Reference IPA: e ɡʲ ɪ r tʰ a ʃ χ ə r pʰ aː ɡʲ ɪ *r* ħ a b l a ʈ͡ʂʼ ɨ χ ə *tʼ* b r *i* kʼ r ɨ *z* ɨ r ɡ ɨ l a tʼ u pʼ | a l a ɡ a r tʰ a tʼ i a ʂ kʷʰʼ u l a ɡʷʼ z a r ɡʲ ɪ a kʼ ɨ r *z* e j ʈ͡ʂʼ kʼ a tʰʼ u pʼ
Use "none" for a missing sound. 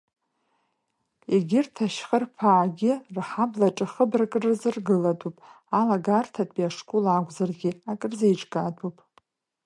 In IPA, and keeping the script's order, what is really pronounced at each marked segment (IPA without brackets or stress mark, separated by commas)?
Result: r, none, a, z, z